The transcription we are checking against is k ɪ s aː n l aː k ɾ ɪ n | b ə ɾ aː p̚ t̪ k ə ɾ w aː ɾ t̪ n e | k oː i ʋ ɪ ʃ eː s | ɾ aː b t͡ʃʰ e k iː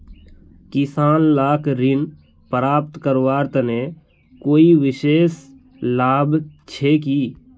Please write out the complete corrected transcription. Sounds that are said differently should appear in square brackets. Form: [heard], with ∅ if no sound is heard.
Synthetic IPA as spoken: k ɪ s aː n l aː k ɾ ɪ n | [p] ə ɾ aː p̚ t̪ k ə ɾ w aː ɾ t̪ n e | k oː i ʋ ɪ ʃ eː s | [l] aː b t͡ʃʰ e k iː